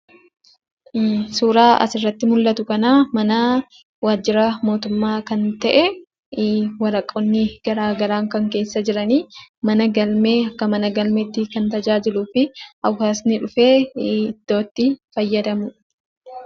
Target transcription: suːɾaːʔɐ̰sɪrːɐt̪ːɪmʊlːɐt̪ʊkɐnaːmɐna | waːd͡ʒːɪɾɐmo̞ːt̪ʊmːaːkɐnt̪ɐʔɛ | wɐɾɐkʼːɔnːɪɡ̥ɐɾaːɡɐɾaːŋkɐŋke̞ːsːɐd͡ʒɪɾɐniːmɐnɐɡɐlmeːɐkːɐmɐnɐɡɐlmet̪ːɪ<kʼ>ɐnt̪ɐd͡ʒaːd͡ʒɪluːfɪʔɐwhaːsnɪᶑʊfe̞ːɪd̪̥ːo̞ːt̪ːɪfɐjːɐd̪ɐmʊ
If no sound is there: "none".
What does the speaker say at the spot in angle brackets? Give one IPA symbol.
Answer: k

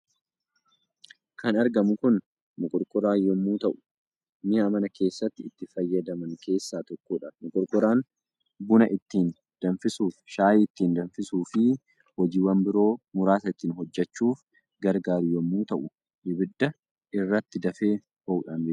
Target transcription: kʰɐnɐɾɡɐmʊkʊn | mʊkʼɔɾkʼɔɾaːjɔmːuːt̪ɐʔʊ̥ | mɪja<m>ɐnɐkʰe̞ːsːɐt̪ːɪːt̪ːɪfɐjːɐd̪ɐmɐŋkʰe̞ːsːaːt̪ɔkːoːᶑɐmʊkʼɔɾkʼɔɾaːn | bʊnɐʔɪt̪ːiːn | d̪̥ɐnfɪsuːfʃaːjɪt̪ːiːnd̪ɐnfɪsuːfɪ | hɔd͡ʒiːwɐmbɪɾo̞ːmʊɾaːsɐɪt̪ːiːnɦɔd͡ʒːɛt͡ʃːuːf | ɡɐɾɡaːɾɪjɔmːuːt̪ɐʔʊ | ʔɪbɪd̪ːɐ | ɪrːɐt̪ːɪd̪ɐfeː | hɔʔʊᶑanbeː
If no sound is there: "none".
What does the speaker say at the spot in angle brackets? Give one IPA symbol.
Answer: m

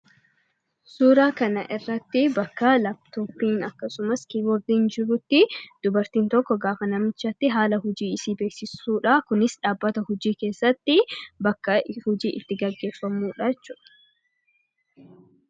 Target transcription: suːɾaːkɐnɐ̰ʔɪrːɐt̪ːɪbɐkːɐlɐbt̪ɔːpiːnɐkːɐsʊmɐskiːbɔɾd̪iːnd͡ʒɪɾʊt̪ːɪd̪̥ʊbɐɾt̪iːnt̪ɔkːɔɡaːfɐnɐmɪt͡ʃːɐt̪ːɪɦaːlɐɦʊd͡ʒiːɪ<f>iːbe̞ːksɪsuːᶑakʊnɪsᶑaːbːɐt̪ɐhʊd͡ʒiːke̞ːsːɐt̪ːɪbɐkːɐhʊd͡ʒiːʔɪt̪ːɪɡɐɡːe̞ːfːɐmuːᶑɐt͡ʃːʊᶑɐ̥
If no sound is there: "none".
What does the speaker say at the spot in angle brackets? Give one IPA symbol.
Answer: s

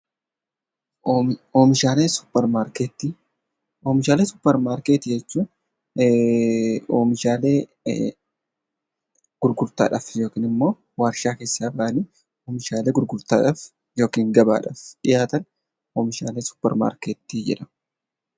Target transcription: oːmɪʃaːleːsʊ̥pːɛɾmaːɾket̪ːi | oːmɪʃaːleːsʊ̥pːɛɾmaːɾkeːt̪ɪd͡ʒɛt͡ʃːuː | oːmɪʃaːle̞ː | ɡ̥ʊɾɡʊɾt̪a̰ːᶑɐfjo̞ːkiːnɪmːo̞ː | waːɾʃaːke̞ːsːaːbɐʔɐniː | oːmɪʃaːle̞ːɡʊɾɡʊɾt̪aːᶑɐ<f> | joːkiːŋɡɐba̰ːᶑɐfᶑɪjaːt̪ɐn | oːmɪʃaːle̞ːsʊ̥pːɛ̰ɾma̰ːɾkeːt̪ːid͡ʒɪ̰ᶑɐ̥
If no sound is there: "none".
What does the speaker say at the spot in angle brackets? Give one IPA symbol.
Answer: f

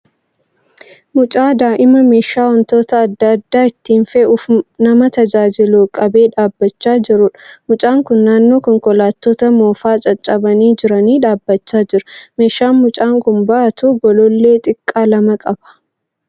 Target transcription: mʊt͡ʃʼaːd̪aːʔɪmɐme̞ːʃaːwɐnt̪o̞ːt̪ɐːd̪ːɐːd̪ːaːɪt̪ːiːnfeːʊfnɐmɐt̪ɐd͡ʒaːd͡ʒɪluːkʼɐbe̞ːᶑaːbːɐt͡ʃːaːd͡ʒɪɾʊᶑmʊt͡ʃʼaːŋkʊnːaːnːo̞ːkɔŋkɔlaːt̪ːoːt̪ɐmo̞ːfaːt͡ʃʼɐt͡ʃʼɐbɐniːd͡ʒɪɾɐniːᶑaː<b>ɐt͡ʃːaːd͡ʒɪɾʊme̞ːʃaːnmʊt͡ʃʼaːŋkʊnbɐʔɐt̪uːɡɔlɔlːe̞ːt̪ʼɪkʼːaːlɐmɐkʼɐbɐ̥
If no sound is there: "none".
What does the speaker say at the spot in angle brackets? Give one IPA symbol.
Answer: bː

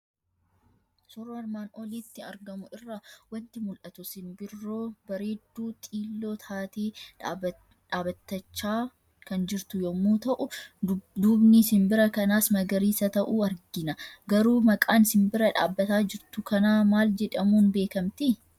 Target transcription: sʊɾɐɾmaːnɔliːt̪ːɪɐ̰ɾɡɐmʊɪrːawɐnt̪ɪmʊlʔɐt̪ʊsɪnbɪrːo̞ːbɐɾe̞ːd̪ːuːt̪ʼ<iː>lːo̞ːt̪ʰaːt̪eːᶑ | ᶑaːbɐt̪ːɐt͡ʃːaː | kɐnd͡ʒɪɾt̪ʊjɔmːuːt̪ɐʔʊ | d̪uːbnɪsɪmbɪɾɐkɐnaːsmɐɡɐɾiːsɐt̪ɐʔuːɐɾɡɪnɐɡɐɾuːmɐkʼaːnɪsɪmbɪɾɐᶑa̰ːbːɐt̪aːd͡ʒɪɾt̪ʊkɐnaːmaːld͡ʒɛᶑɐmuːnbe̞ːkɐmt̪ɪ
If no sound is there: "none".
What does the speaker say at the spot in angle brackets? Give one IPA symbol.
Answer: iː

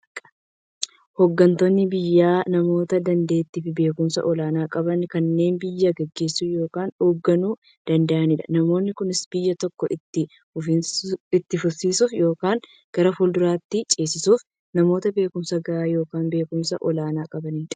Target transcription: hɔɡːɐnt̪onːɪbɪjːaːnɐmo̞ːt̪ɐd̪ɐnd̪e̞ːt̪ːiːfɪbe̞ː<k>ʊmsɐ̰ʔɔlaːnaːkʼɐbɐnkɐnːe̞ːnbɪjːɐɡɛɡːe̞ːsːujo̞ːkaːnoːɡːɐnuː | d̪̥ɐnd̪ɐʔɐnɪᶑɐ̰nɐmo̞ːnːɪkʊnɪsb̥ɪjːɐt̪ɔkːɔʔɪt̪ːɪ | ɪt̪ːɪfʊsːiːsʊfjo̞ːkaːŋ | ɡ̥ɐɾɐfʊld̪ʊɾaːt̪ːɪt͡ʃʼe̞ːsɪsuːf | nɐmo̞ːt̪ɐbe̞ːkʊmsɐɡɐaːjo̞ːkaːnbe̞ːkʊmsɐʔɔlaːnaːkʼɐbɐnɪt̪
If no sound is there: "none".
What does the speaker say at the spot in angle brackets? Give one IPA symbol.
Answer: k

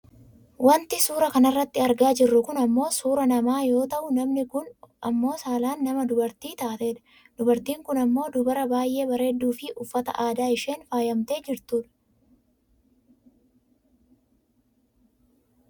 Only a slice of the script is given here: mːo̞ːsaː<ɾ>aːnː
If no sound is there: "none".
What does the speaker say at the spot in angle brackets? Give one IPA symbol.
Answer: l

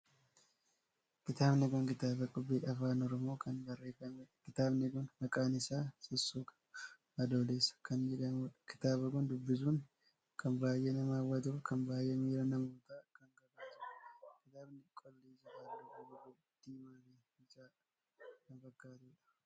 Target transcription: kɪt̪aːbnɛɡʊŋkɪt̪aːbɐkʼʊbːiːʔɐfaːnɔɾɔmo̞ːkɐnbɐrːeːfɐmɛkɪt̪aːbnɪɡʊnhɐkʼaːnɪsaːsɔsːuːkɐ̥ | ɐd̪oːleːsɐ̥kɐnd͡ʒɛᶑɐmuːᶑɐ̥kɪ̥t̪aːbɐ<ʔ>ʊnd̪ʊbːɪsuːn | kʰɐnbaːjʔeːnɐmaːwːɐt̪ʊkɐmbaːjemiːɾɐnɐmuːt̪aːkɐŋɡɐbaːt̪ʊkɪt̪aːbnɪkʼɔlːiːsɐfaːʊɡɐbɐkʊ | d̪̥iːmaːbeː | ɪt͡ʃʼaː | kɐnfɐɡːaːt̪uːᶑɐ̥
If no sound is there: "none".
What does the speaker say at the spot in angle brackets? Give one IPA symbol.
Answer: k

